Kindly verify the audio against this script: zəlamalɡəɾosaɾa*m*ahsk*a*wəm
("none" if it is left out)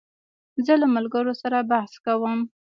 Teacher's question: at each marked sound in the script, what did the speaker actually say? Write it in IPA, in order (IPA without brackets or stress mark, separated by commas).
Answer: b, a